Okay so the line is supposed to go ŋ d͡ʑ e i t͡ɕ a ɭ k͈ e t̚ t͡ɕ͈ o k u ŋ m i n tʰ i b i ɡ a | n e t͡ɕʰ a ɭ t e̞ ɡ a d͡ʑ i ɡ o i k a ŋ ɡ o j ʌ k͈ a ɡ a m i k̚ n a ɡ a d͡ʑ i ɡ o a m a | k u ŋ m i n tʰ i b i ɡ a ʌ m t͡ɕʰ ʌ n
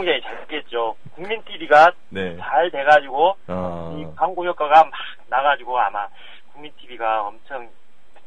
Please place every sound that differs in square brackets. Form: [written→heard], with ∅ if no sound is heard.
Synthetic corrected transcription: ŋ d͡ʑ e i t͡ɕ a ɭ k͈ e t̚ t͡ɕ͈ o k u ŋ m i n tʰ i b i ɡ a | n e [t͡ɕʰ→t͡ɕ] a ɭ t e̞ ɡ a d͡ʑ i ɡ o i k a ŋ ɡ o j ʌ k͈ a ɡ a m [i→a] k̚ n a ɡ a d͡ʑ i ɡ o a m a | k u ŋ m i n tʰ i b i ɡ a ʌ m t͡ɕʰ ʌ [n→ŋ]